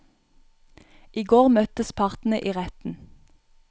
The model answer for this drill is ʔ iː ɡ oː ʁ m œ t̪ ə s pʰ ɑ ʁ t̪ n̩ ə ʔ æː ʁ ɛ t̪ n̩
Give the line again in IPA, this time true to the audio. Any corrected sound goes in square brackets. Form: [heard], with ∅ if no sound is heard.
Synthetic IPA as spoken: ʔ iː ɡ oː ʁ m œ t̪ ə s pʰ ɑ ʁ t̪ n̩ ə ʔ [iː] ʁ ɛ t̪ n̩